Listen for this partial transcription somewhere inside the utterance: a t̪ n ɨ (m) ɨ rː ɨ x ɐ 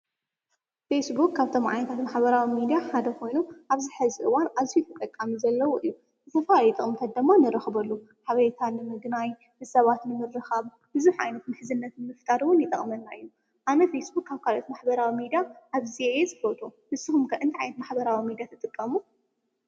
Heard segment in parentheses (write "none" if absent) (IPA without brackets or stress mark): m